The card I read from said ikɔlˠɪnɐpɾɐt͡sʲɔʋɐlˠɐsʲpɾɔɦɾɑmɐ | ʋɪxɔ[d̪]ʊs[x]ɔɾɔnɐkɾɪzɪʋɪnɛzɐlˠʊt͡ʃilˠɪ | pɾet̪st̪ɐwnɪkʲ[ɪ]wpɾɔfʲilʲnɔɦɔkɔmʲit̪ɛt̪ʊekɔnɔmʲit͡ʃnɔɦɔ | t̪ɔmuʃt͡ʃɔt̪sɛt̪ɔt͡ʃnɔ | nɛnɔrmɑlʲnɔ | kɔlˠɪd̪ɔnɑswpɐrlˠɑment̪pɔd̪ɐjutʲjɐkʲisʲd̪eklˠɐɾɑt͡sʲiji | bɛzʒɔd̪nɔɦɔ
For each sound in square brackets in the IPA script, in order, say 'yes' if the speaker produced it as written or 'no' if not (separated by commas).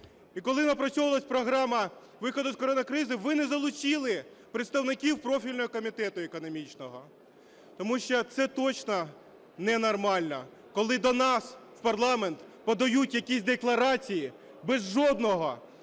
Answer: yes, no, no